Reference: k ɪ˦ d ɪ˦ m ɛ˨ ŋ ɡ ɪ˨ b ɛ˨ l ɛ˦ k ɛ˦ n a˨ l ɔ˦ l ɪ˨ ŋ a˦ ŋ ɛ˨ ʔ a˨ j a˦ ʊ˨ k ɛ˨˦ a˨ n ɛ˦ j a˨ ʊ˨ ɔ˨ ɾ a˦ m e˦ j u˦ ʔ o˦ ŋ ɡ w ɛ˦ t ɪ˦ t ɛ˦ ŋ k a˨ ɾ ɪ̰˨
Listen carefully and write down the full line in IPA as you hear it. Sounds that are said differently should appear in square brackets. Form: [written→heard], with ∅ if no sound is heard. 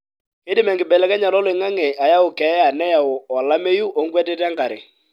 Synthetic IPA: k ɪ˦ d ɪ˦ m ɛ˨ ŋ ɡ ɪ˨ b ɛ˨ l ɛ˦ k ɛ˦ [n→ɲ] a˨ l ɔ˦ l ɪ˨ ŋ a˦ ŋ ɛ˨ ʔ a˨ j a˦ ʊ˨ k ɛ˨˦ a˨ n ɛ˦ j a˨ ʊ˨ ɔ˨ [ɾ→l] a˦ m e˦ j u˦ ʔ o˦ ŋ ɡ w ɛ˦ t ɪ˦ t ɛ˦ ŋ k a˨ ɾ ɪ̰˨